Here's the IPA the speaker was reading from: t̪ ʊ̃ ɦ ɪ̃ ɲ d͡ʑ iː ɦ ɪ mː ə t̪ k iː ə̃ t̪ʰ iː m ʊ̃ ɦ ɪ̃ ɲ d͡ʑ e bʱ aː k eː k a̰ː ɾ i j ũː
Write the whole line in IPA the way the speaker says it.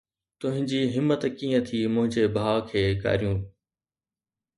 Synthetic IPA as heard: t̪ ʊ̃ ɦ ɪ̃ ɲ d͡ʑ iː ɦ ɪ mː ə t̪ k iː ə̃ t̪ʰ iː m ʊ̃ ɦ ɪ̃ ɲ d͡ʑ e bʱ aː kʰ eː k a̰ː ɾ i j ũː

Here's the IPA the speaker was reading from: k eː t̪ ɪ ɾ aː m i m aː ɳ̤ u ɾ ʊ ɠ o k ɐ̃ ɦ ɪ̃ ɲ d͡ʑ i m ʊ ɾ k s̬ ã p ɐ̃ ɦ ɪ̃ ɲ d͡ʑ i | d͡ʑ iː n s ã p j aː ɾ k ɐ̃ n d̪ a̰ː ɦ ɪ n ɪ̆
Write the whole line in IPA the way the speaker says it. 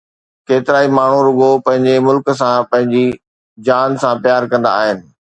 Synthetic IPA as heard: k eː t̪ ɪ ɾ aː i m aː ɳ̤ u ɾ ʊ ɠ o p ɐ̃ ɦ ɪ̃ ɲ d͡ʑ e m ʊ l k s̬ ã p ɐ̃ ɦ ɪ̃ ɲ d͡ʑ i | d͡ʑ aː n s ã p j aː ɾ k ɐ̃ n d̪ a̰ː ɦ ɪ n ɪ̆

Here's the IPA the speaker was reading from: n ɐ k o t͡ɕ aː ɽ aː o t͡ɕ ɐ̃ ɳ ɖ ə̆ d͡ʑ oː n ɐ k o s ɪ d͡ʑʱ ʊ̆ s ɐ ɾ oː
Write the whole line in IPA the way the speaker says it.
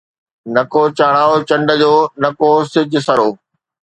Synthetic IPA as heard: n ɐ k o t͡ɕ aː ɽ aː o t͡ɕ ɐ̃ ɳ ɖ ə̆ d͡ʑ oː n ɐ k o s ɪ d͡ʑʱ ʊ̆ s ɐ ɾ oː

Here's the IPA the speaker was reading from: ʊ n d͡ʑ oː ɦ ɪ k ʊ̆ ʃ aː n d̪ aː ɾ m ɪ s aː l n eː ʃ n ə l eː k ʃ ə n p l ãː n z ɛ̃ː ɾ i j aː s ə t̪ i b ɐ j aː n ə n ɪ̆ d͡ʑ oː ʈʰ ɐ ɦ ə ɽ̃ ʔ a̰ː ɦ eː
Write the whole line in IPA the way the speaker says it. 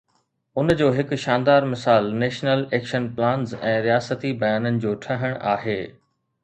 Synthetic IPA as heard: ʊ n d͡ʑ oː ɦ ɪ k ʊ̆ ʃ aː n d̪ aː ɾ m ɪ s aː l n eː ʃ n ə l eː k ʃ ə n p l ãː n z ɛ̃ː ɾ i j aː s ə t̪ i b ɐ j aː n ə n ɪ̆ d͡ʑ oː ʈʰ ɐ ɦ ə ɽ̃ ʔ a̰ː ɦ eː

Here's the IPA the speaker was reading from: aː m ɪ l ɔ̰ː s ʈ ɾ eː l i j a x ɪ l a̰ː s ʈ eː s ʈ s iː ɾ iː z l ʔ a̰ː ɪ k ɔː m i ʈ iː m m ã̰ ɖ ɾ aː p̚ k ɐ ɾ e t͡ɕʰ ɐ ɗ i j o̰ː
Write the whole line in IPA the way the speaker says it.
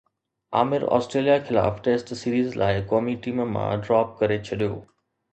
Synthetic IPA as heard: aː m ɪ ɾ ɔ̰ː s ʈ ɾ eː l i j a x ɪ l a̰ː f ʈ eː s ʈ s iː ɾ iː z l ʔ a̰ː ɪ k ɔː m i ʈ iː m m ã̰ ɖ ɾ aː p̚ k ɐ ɾ e t͡ɕʰ ɐ ɗ i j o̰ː

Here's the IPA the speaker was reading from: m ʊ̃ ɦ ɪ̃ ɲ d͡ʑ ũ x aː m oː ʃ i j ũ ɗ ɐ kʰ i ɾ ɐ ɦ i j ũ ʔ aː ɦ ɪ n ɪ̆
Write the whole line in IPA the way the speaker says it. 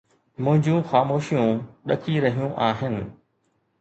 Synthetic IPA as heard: m ʊ̃ ɦ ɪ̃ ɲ d͡ʑ ũ x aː m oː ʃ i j ũ ɗ ɐ kʰ i ɾ ɐ ɦ i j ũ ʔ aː ɦ ɪ n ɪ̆

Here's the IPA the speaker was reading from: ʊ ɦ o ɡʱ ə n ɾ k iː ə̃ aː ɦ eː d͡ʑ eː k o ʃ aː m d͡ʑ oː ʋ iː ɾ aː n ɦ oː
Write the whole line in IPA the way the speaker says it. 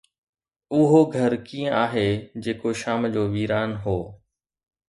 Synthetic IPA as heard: ʊ ɦ o ɡʱ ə ɾ k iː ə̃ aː ɦ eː d͡ʑ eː k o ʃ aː m d͡ʑ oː ʋ iː ɾ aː n ɦ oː

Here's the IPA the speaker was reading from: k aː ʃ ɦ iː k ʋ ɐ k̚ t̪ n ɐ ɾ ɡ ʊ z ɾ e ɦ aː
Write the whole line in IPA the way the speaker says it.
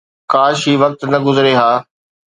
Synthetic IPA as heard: k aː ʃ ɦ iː ʋ ɐ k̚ t̪ n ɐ ɡ ʊ z ɾ e ɦ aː

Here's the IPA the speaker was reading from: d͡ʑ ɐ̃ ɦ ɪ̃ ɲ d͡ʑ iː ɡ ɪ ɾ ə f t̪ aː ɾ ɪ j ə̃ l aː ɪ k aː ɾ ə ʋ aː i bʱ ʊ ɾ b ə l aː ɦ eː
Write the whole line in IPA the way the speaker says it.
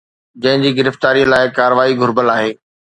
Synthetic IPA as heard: d͡ʑ ɐ̃ ɦ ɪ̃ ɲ d͡ʑ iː ɡ ɪ ɾ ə f t̪ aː ɾ i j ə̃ l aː ɪ k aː ɾ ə ʋ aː i ɡʱ ʊ ɾ b ə l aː ɦ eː

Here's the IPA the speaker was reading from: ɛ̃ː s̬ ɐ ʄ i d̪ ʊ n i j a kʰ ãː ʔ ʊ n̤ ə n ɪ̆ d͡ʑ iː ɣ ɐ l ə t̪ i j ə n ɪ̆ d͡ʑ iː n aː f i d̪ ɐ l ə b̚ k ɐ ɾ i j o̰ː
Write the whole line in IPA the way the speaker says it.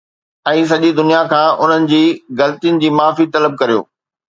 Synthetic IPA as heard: ɛ̃ː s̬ ɐ ʄ i d̪ ʊ n i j a kʰ ãː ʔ ʊ n̤ ə n ɪ̆ d͡ʑ iː ɣ ɐ l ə t̪ i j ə n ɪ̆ d͡ʑ iː m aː f i t̪ ɐ l ə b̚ k ɐ ɾ i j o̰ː

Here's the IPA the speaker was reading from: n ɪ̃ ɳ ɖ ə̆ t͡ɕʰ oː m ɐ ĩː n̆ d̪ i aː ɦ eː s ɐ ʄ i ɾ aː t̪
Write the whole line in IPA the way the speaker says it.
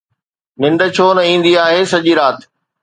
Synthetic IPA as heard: n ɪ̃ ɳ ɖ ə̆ t͡ɕʰ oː n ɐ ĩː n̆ d̪ i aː ɦ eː s ɐ ʄ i ɾ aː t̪

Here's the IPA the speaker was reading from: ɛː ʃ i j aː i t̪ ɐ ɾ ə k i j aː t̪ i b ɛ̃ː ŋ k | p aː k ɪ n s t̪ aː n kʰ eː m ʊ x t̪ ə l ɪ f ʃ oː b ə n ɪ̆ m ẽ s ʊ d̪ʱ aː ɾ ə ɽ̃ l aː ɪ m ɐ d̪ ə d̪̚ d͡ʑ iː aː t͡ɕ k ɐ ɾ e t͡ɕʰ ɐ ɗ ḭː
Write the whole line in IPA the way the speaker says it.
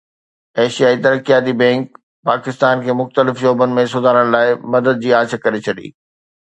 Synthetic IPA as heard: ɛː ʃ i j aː i t̪ ɐ ɾ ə k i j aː t̪ i b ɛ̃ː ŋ k | p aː k ɪ s t̪ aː n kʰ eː m ʊ x t̪ ə l ɪ f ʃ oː b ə n ɪ̆ m ẽ s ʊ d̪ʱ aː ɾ ə ɽ̃ l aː ɪ m ɐ d̪ ə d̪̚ d͡ʑ iː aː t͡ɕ k ɐ ɾ e t͡ɕʰ ɐ ɗ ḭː

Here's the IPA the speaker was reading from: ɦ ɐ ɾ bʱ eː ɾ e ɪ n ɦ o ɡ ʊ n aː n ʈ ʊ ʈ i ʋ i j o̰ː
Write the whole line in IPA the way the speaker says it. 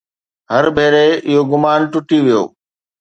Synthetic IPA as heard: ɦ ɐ ɾ bʱ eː ɾ e ɪ ɦ o ɡ ʊ m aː n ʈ ʊ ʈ i ʋ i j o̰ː

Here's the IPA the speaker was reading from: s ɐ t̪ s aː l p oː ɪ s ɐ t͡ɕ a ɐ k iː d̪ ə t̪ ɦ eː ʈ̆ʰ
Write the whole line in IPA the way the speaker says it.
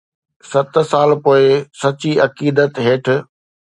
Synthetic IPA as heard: s ɐ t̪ s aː l p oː ɪ s ɐ t͡ɕ i ɐ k iː d̪ ə t̪ ɦ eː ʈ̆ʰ

